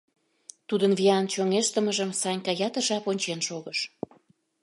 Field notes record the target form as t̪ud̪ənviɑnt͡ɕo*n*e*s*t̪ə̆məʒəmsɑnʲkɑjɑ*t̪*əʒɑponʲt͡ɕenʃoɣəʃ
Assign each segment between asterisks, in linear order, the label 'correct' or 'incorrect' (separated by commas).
incorrect, incorrect, correct